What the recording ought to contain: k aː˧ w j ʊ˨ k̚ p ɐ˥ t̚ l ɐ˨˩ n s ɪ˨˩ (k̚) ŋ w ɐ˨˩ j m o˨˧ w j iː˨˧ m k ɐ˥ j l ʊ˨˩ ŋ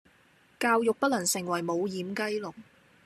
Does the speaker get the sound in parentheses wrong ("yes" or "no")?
yes